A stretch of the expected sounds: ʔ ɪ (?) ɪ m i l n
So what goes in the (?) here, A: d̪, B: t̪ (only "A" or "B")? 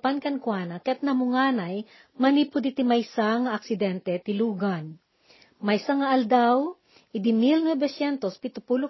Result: A